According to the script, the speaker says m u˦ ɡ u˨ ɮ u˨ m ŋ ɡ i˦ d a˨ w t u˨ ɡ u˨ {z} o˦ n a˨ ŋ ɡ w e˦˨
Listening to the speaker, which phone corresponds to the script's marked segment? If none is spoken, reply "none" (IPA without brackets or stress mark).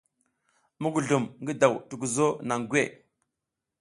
z